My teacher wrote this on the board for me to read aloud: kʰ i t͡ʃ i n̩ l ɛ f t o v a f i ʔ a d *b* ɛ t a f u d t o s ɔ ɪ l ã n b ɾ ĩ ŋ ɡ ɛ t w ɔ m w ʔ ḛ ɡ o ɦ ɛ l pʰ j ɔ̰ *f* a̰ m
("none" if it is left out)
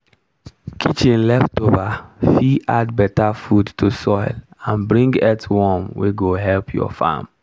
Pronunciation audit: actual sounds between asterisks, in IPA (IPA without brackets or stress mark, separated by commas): b, f